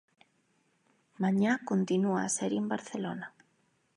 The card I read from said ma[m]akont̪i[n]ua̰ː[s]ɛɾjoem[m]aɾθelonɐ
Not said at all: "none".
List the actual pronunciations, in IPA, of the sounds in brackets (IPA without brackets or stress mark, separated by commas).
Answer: ɲ, n, s, b